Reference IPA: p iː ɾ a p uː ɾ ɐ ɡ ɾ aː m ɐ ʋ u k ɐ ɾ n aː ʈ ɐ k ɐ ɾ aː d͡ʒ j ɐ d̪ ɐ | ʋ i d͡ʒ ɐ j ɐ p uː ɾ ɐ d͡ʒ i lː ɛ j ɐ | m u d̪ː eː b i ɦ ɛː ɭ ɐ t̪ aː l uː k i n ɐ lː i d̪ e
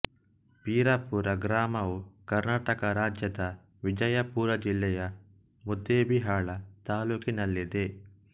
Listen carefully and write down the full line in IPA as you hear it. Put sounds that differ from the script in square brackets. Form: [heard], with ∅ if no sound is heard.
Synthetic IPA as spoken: p iː ɾ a p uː ɾ ɐ ɡ ɾ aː m ɐ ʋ u k ɐ ɾ n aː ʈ ɐ k ɐ ɾ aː d͡ʒ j ɐ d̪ ɐ | ʋ i d͡ʒ ɐ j ɐ p uː ɾ ɐ d͡ʒ i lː ɛ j ɐ | m u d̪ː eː b i ɦ [aː] ɭ ɐ t̪ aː l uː k i n ɐ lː i d̪ e

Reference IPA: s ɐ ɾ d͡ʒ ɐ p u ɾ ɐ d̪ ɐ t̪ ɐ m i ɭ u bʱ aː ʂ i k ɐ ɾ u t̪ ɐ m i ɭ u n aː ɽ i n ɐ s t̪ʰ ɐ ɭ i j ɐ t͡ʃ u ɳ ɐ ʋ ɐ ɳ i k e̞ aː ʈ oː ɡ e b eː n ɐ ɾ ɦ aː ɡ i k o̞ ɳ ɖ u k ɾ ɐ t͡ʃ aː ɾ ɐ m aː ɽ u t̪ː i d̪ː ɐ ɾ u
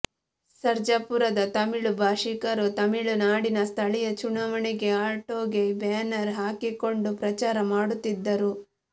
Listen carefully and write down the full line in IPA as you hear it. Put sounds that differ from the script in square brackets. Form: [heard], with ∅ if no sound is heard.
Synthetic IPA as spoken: s ɐ ɾ d͡ʒ ɐ p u ɾ ɐ d̪ ɐ t̪ ɐ m i ɭ u bʱ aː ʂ i k ɐ ɾ u t̪ ɐ m i ɭ u n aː ɽ i n ɐ s t̪ʰ ɐ ɭ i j ɐ t͡ʃ u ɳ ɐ ʋ ɐ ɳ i [ɡ] e̞ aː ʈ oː ɡ e b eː n ɐ ɾ ɦ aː [k] i k o̞ ɳ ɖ u [p] ɾ ɐ t͡ʃ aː ɾ ɐ m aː ɽ u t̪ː i d̪ː ɐ ɾ u

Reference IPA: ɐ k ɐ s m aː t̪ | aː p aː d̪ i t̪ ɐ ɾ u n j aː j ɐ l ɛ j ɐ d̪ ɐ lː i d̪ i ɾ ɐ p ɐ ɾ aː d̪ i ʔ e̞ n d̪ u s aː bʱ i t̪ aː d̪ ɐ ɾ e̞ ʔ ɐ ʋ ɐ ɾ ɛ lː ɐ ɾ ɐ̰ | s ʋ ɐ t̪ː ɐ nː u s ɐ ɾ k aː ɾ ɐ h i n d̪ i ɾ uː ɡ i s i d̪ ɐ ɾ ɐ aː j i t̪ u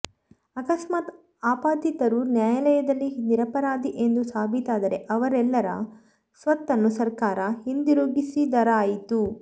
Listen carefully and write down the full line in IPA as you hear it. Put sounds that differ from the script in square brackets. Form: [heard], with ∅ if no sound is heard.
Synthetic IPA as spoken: ɐ k ɐ s m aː t̪ | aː p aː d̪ i t̪ ɐ ɾ u n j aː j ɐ l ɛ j ɐ d̪ ɐ lː i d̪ i ɾ ɐ p ɐ ɾ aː d̪ i ʔ e̞ n d̪ u s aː bʱ i t̪ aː d̪ ɐ ɾ e̞ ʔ ɐ ʋ ɐ ɾ ɛ lː ɐ ɾ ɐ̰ | s ʋ ɐ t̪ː ɐ nː u s ɐ ɾ k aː ɾ ɐ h i n d̪ i ɾ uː ɡ i s i d̪ ɐ ɾ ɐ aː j i t̪ u

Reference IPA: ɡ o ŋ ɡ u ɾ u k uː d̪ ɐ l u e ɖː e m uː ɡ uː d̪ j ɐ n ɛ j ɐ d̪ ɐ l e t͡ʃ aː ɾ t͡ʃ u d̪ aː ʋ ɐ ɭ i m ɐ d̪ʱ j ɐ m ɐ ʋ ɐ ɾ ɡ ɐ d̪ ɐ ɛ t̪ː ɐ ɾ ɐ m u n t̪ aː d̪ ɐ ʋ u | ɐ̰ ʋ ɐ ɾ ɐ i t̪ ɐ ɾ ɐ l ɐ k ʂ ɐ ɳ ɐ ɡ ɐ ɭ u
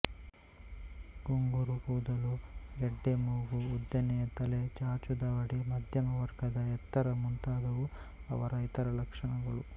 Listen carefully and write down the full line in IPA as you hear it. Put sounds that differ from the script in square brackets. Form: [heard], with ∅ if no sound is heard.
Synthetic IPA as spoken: ɡ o ŋ ɡ u ɾ u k uː d̪ ɐ l u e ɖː e m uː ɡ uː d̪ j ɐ n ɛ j ɐ [t̪] ɐ l e t͡ʃ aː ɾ t͡ʃ u d̪ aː ʋ ɐ [ɽ] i m ɐ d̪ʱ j ɐ m ɐ ʋ ɐ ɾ ɡ ɐ d̪ ɐ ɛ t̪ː ɐ ɾ ɐ m u n t̪ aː d̪ ɐ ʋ u | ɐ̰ ʋ ɐ ɾ ɐ i t̪ ɐ ɾ ɐ l ɐ k ʂ ɐ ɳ ɐ ɡ ɐ ɭ u

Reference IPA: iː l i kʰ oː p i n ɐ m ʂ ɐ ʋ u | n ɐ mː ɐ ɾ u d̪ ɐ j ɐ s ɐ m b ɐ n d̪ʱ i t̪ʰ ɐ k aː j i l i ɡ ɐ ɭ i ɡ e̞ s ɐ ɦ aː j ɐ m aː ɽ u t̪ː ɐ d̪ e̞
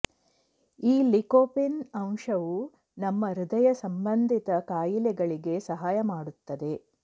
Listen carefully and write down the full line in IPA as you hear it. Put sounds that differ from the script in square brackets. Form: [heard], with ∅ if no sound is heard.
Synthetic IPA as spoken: iː l i [k] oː p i n ɐ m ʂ ɐ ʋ u | n ɐ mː ɐ ɾ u d̪ ɐ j ɐ s ɐ m b ɐ n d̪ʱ i [t̪] ɐ k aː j i l [ɛ] ɡ ɐ ɭ i ɡ e̞ s ɐ ɦ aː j ɐ m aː ɽ u t̪ː ɐ d̪ e̞

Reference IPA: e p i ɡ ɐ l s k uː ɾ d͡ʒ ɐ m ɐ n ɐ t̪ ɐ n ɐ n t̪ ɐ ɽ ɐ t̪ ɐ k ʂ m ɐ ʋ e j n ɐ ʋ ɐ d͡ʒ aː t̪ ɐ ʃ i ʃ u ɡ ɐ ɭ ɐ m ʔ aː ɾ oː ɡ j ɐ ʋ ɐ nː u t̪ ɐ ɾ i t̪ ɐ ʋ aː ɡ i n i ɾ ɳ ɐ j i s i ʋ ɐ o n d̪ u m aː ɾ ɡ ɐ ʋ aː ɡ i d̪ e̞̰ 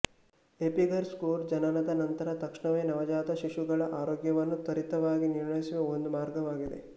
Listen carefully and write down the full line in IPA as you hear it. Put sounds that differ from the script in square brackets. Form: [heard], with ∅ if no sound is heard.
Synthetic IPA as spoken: e p i ɡ ɐ [ɾ] s k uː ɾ d͡ʒ ɐ [n] ɐ n ɐ [d̪] ɐ n ɐ n t̪ ɐ [ɾ] ɐ t̪ ɐ k ʂ [ɳ] ɐ ʋ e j n ɐ ʋ ɐ d͡ʒ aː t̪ ɐ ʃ i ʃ u ɡ ɐ ɭ ɐ [∅] ʔ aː ɾ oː ɡ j ɐ ʋ ɐ nː u t̪ ɐ ɾ i t̪ ɐ ʋ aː ɡ i n i ɾ ɳ ɐ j i s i ʋ ɐ o n d̪ u m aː ɾ ɡ ɐ ʋ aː ɡ i d̪ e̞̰

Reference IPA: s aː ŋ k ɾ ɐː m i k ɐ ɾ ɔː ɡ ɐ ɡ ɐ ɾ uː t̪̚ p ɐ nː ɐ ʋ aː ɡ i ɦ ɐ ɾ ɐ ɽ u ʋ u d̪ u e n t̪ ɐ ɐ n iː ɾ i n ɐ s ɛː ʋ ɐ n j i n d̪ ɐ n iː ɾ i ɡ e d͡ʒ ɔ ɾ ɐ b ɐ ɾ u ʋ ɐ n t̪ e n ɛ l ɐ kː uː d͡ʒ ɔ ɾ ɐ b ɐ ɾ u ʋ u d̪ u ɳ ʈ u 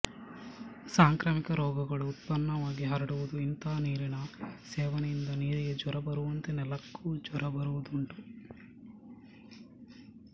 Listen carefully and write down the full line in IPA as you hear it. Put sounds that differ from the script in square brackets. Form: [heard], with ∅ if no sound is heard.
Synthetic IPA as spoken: s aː ŋ k ɾ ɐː m i k ɐ ɾ ɔː ɡ ɐ ɡ ɐ [ɭ] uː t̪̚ p ɐ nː ɐ ʋ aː ɡ i ɦ ɐ ɾ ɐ ɽ u ʋ u d̪ u [i] n t̪ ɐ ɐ n iː ɾ i n ɐ s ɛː ʋ ɐ n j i n d̪ ɐ n iː ɾ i ɡ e d͡ʒ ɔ ɾ ɐ b ɐ ɾ u ʋ ɐ n t̪ e n ɛ l ɐ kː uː d͡ʒ ɔ ɾ ɐ b ɐ ɾ u ʋ u d̪ u ɳ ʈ u

